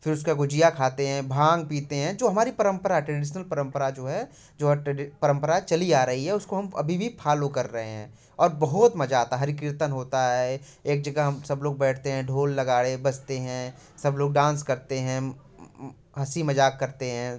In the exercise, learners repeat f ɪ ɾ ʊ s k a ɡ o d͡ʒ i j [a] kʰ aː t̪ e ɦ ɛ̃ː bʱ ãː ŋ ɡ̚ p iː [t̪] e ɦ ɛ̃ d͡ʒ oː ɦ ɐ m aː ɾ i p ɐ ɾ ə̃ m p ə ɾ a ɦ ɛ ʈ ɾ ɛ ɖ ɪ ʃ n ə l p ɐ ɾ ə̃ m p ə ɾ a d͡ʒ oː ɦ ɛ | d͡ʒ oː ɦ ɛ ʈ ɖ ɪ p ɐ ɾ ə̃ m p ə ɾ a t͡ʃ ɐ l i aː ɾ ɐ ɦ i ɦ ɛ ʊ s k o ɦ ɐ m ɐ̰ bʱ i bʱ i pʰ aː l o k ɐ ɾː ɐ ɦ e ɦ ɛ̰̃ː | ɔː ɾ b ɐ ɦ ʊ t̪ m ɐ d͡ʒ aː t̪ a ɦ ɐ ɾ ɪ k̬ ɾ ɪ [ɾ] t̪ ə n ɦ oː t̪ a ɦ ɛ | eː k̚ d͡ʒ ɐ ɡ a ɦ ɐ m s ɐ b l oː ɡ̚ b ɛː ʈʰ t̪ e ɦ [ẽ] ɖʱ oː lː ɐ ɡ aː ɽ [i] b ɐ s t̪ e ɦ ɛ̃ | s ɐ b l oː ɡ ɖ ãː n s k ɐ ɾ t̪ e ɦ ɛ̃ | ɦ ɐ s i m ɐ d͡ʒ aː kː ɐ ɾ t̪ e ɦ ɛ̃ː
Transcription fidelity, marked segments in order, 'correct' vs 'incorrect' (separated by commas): correct, correct, correct, incorrect, incorrect